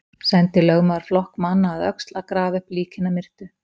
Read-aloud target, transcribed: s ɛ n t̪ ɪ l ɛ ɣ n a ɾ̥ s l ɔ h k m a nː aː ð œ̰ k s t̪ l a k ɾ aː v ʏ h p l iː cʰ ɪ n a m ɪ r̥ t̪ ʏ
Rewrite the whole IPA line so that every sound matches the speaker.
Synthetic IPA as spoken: s ɛ n t̪ ɪ l œ ɣ m a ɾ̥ f l ɔ h k m a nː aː ð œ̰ k s t̪ l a k ɾ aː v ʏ h p l iː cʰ ɪ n a m ɪ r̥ t̪ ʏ